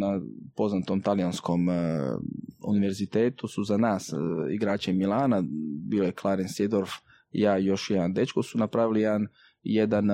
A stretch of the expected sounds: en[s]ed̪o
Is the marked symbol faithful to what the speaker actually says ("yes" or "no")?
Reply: yes